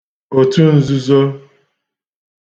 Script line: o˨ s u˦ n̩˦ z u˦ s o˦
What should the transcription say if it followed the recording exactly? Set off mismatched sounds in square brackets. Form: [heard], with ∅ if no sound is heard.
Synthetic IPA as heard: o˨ [t] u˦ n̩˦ z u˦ [z] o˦